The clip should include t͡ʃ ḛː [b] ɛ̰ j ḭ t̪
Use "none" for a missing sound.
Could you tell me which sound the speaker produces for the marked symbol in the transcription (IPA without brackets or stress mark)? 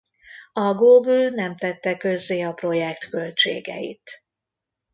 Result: ɡ